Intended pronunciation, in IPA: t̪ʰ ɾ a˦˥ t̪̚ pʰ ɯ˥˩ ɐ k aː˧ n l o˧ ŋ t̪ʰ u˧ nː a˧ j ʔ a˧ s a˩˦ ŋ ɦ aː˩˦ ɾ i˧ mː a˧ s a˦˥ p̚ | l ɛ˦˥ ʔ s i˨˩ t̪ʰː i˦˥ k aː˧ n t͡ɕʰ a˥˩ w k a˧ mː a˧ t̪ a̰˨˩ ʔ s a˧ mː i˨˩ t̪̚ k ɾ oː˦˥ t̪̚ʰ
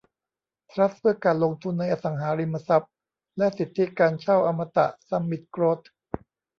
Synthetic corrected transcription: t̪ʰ ɾ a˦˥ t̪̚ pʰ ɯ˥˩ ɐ k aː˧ n l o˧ ŋ t̪ʰ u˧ nː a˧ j ʔ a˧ s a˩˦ ŋ ɦ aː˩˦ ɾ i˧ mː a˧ s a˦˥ p̚ | l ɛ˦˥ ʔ s i˨˩ t̪ʰː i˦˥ k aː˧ n t͡ɕʰ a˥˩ w ʔ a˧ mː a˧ t̪ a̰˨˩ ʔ s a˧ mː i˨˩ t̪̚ k ɾ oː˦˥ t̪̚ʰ

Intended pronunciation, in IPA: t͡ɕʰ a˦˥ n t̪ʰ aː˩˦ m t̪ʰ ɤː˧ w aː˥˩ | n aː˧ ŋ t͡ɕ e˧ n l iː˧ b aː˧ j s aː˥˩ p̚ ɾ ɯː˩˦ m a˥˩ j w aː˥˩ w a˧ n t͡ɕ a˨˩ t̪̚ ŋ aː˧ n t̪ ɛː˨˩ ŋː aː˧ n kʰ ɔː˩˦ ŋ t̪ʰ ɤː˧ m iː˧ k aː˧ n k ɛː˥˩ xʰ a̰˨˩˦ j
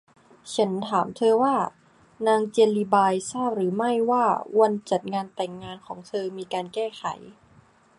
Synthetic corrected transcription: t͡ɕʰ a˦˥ n t̪ʰ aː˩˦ m t̪ʰ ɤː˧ w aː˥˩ | n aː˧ ŋ t͡ɕ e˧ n l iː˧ b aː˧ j s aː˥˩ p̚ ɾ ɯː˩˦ m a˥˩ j w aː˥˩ w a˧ n t͡ɕ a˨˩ t̪̚ ŋ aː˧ n t̪ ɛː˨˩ ŋː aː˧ n kʰ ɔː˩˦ ŋ t̪ʰ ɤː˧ m iː˧ k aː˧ n k ɛː˥˩ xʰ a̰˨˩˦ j

